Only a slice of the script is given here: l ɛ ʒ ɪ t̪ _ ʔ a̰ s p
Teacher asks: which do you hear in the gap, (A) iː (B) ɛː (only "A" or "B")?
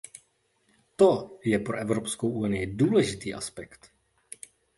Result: A